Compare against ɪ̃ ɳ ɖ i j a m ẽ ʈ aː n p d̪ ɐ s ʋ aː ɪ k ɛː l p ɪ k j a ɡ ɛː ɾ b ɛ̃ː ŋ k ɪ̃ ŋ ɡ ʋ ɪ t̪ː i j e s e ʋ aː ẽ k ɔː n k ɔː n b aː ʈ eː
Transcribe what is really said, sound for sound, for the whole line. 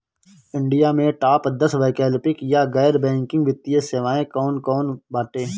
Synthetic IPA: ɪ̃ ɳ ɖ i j a m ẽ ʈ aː p d̪ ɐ s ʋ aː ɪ k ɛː l p ɪ k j a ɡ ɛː ɾ b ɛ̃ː ŋ k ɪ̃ ŋ ɡ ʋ ɪ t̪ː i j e s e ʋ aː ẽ k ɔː n k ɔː n b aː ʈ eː